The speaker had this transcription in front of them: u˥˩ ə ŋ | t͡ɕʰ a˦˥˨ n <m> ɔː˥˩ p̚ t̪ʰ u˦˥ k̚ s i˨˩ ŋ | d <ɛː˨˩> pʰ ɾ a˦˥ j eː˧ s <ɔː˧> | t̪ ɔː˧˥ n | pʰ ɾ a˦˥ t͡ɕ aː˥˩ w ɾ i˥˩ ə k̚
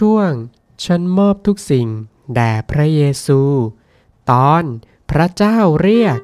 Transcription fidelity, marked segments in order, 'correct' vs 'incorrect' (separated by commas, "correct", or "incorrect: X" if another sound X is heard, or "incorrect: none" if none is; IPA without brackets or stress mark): correct, correct, incorrect: uː˧